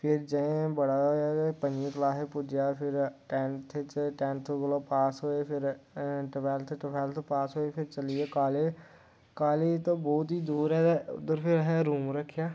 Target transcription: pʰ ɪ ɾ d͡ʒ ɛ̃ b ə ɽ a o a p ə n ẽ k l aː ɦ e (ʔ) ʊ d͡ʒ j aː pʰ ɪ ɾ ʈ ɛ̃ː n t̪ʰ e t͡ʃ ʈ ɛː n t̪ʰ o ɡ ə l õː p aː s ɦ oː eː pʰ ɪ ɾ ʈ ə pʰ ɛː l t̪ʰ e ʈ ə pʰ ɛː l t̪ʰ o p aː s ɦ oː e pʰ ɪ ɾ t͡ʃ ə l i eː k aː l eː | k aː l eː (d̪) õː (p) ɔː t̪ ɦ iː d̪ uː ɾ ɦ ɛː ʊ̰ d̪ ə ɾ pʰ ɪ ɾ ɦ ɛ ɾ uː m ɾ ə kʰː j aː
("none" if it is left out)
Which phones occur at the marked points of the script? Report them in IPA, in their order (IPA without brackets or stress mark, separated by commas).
p, t̪, b